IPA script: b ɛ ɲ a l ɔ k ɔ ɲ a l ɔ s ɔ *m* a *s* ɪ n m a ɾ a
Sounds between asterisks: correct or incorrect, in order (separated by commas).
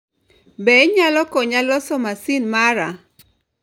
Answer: correct, correct